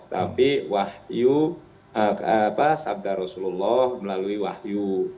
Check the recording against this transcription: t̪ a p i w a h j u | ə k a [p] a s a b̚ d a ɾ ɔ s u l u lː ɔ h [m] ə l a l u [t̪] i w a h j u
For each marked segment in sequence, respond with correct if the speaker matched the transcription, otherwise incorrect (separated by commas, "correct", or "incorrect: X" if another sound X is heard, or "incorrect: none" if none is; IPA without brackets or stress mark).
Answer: correct, correct, incorrect: none